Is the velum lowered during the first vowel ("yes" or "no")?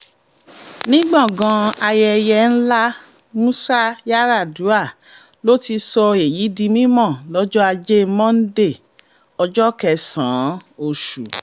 yes